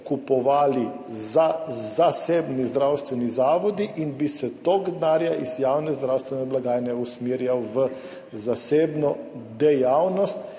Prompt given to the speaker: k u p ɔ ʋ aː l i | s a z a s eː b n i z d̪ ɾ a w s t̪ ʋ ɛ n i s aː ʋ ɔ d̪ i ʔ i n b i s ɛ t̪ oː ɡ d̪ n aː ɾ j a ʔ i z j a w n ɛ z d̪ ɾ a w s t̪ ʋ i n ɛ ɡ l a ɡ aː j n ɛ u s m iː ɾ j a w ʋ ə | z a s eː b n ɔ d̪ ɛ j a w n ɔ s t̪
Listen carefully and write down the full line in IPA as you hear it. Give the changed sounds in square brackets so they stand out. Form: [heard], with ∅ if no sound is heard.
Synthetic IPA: k u p ɔ ʋ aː l i | [z] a z a s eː b n i z d̪ ɾ a w s t̪ ʋ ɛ n i [z] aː ʋ ɔ d̪ i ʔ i n b i s ɛ t̪ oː ɡ d̪ n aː ɾ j a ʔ i z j a w n ɛ z d̪ ɾ a w s t̪ ʋ [ɛ] n ɛ [b] l a ɡ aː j n ɛ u s m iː ɾ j a w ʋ ə | z a s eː b n ɔ d̪ ɛ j a w n ɔ s t̪